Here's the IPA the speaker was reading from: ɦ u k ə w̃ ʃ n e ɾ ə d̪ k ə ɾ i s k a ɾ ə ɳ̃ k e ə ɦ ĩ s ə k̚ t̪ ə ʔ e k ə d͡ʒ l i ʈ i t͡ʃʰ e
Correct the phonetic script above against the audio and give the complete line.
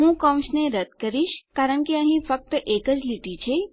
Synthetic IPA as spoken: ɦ ũ k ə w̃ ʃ n e ɾ ə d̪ k ə ɾ i ʃ k a ɾ ə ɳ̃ k e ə ɦ ĩ f ə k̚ t̪ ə ʔ e k ə d͡ʒ l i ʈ i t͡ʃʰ e